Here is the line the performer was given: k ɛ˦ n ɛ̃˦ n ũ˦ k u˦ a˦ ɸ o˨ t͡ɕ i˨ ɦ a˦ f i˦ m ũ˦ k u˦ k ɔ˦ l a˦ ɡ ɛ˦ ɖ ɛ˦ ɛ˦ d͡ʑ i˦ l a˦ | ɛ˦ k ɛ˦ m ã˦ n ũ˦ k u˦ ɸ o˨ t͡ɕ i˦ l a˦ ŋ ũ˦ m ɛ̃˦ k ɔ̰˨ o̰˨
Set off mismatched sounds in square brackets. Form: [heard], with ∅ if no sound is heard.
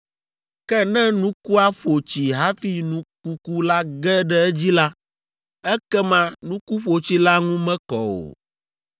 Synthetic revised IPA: k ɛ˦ n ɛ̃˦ n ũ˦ k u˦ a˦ ɸ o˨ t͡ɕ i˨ ɦ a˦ f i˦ [n] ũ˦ k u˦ k [u˦] l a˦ ɡ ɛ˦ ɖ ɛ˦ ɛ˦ d͡ʑ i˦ l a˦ | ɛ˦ k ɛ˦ m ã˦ n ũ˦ k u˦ ɸ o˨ t͡ɕ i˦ l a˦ ŋ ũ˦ m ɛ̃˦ k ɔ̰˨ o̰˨